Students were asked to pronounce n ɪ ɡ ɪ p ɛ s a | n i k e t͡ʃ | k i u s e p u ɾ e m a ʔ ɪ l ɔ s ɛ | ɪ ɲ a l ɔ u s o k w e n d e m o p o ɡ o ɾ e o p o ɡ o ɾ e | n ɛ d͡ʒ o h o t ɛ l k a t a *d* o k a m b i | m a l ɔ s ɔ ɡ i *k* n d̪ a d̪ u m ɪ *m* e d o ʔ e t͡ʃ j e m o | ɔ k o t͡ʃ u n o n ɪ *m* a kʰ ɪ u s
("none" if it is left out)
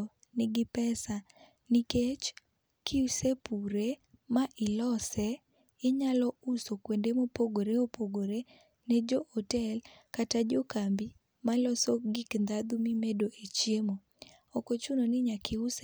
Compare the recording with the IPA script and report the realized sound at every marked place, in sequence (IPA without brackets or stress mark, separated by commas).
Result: d͡ʒ, k, m, ɲ